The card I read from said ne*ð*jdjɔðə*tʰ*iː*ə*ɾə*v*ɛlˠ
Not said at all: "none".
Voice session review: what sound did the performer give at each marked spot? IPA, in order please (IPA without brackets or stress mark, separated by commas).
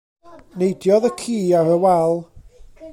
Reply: none, kʰ, a, w